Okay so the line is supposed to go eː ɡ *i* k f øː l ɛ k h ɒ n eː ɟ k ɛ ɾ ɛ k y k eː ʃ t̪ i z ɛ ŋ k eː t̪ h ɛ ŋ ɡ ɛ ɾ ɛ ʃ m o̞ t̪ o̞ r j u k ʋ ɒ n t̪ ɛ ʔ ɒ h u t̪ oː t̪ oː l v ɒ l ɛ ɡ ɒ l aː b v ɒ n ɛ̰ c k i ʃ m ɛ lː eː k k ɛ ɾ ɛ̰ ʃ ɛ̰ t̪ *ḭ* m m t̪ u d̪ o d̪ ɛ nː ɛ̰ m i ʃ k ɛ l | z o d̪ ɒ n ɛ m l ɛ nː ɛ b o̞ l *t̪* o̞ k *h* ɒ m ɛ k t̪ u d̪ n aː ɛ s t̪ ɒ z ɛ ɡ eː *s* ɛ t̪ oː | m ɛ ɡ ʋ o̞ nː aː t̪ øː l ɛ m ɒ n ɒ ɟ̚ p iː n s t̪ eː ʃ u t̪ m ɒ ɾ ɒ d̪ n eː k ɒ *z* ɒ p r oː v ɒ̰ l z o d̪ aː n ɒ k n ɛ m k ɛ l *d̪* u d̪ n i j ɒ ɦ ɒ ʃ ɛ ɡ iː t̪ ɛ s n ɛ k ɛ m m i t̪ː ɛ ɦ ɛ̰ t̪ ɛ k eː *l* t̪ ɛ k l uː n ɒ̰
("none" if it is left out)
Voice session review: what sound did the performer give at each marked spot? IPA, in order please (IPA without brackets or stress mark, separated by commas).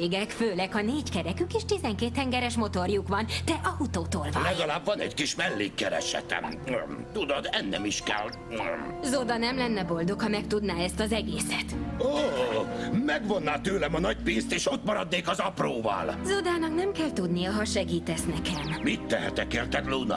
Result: ɛ, ɛ̰, d̪, h, s, z, t̪, r